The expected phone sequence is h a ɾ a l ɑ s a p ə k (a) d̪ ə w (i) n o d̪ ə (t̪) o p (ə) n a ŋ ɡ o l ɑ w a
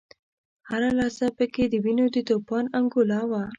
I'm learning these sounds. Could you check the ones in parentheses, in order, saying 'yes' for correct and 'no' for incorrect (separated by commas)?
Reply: no, yes, yes, no